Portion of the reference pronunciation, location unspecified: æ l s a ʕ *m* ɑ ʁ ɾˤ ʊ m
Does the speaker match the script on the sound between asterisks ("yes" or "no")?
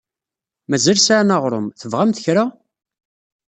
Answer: no